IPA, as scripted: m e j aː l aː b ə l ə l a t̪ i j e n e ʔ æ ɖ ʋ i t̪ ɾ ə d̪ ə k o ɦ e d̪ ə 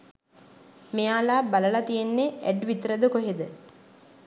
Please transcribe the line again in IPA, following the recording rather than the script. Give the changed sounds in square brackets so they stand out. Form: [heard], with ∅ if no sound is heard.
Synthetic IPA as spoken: m e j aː l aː b [a] l ə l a t̪ i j e [nː] e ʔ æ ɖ ʋ i t̪ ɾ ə d̪ ə k o ɦ e d̪ ə